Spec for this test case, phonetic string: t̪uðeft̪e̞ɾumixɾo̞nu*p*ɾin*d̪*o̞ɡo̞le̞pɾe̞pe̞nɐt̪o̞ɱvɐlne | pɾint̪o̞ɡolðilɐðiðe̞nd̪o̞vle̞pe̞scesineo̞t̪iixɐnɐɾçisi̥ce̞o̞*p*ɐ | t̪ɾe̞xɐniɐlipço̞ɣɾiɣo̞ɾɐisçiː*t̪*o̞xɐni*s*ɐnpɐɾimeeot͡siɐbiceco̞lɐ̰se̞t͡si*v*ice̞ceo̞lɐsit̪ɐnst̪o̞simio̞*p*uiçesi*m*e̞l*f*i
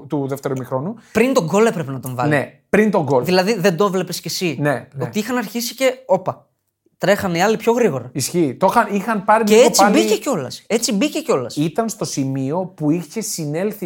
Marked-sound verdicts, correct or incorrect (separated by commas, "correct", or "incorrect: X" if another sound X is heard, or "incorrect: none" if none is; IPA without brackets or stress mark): correct, incorrect: t̪, correct, correct, incorrect: x, incorrect: b, correct, incorrect: n, incorrect: θ